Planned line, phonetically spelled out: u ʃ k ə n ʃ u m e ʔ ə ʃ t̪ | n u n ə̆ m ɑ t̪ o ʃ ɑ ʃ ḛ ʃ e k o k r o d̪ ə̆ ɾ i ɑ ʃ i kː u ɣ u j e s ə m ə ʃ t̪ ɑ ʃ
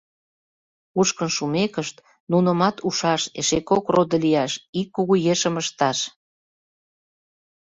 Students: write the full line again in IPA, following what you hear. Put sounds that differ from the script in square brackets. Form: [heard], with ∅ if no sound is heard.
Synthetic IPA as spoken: u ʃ k ə n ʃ u m e [k] ə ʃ t̪ | n u n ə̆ m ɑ t̪ [u] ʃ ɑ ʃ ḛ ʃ e k o k r o d̪ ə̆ [l] i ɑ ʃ i kː u ɣ u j e [ʃ] ə m ə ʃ t̪ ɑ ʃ